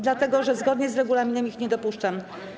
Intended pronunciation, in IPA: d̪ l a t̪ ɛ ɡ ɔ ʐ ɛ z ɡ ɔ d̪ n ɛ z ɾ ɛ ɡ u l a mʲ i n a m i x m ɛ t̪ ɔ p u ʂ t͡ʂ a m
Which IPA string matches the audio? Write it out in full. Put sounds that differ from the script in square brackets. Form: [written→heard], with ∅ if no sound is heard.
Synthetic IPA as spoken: d̪ l a t̪ ɛ ɡ ɔ ʐ ɛ z ɡ ɔ d̪ [n→ɲ] ɛ z ɾ ɛ ɡ u l a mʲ i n [a→ɛ] m i x [m→ɲ] ɛ [t̪→d̪] ɔ p u ʂ t͡ʂ a m